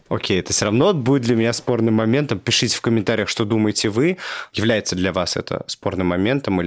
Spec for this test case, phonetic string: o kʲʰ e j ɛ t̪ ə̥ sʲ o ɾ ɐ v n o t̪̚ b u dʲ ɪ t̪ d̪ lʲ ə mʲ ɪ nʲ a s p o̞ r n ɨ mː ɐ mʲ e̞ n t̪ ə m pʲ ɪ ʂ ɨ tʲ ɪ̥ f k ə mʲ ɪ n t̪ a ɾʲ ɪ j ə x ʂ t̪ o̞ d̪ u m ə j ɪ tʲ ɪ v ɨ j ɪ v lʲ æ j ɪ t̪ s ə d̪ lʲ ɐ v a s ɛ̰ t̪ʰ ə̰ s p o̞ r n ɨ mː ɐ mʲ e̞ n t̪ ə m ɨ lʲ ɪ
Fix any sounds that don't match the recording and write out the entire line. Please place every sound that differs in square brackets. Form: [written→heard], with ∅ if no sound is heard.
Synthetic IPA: o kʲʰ e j ɛ t̪ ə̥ sʲ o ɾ ɐ v n o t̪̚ b u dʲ ɪ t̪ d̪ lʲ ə mʲ ɪ nʲ a s p o̞ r n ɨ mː ɐ mʲ e̞ n t̪ ə m pʲ ɪ ʂ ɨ tʲ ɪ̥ f k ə mʲ ɪ n t̪ a ɾʲ ɪ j ə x ʂ t̪ o̞ d̪ u m ə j ɪ tʲ ɪ v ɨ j ɪ v lʲ æ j ɪ t̪ s ə d̪ lʲ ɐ v a s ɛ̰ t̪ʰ ə̰ s p o̞ r n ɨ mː ɐ mʲ e̞ n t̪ ə m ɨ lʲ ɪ